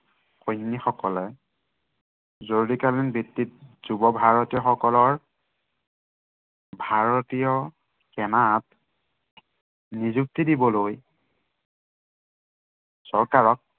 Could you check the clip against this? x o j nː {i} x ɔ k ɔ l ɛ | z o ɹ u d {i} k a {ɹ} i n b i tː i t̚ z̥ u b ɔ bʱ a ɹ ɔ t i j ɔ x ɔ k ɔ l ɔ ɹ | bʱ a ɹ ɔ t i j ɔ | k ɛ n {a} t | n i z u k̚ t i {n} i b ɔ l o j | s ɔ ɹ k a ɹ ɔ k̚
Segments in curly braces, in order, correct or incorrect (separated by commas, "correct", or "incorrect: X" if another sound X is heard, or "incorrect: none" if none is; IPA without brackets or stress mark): correct, correct, incorrect: l, correct, incorrect: d